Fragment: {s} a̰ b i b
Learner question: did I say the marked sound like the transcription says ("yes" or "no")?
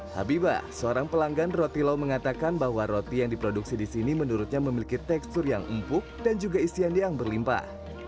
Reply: no